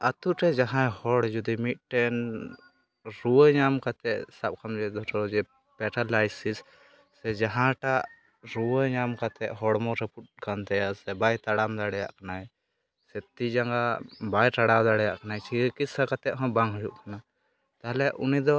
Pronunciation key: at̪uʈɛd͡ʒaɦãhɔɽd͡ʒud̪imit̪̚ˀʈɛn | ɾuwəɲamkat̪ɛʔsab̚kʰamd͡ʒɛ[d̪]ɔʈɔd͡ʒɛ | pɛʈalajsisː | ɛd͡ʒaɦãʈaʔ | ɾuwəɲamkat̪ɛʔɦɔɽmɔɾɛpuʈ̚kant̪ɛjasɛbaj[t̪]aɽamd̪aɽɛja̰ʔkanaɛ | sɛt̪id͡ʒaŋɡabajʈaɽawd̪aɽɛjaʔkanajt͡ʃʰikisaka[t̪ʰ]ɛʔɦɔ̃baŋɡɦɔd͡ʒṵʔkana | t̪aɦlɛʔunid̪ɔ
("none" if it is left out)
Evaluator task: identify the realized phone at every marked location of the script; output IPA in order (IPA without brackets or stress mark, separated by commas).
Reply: d̪, t̪, t̪